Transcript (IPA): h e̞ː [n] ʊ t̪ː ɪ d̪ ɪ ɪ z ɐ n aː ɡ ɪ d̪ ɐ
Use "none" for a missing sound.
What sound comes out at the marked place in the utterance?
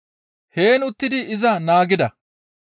n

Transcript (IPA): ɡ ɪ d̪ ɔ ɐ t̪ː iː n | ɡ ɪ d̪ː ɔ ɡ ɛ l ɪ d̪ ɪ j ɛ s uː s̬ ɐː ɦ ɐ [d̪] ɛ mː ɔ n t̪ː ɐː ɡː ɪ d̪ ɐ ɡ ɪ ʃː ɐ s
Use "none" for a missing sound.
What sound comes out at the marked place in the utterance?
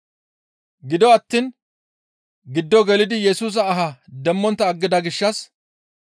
d̪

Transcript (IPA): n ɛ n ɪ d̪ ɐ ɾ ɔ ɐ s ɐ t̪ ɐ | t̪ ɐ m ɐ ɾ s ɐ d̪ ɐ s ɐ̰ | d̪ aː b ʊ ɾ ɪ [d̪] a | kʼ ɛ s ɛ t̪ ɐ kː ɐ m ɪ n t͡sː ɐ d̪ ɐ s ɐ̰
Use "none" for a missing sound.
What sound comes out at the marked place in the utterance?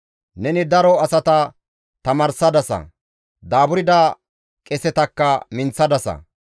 d̪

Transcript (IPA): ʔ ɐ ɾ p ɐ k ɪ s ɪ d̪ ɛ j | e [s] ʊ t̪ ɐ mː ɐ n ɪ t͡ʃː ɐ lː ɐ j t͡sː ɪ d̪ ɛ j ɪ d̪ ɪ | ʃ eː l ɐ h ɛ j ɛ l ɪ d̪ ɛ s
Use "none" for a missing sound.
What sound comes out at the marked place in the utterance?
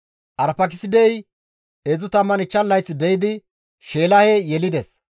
z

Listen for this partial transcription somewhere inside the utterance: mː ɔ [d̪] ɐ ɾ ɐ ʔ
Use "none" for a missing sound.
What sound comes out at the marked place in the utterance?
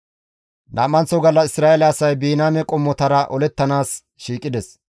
t̪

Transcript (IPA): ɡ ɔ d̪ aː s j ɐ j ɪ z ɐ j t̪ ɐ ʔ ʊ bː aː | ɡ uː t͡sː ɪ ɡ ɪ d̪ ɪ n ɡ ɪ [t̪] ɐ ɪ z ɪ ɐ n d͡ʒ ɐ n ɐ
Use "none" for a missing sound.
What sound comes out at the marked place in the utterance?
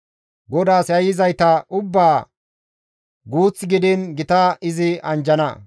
t̪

